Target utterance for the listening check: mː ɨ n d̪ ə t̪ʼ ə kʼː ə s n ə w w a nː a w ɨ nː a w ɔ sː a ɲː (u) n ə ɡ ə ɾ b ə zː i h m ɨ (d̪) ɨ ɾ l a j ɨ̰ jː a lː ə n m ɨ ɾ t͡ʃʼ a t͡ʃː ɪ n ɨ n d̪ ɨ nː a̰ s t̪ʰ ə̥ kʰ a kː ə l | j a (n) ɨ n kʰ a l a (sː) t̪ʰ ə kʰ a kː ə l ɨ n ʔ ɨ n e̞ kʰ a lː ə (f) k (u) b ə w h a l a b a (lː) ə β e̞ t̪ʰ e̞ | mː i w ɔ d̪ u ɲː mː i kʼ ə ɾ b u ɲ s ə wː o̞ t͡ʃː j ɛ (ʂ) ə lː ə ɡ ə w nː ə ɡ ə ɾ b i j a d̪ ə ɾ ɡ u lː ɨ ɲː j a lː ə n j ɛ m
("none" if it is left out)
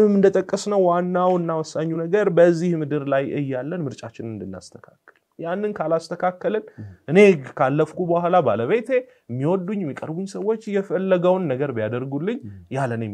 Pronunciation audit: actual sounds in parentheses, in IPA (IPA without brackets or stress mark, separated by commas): u, d̪, nː, s, f, u, l, f